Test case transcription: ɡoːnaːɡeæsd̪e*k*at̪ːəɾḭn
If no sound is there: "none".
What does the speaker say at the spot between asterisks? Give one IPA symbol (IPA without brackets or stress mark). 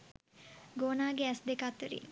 k